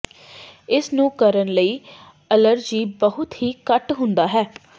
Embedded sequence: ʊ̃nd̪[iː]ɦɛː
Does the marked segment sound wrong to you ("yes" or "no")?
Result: yes